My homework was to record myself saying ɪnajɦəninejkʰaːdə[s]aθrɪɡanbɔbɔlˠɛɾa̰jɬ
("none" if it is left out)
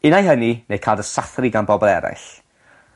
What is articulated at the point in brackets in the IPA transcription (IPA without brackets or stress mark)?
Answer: s